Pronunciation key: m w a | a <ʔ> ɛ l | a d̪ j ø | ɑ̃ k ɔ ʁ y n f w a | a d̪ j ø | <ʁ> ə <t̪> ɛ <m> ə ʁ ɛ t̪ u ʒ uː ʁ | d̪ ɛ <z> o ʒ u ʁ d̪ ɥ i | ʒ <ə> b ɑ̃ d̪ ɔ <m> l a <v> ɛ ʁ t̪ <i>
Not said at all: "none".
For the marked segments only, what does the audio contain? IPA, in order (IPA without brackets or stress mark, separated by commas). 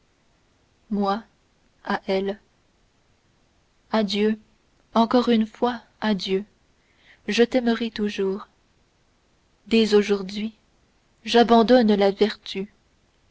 ʔ, ʒ, t̪, m, z, a, n, v, y